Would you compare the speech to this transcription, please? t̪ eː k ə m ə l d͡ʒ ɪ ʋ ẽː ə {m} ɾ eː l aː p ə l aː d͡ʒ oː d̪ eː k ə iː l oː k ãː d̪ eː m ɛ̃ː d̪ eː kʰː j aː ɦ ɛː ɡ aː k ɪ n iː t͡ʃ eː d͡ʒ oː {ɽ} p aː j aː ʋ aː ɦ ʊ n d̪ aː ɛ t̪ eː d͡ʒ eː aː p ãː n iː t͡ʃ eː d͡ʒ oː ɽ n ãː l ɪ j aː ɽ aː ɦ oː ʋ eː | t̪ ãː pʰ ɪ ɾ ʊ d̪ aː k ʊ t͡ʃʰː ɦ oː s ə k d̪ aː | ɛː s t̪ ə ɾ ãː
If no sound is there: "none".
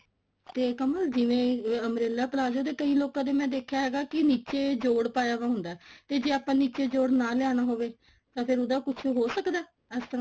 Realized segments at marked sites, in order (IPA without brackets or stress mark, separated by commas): m, ɽ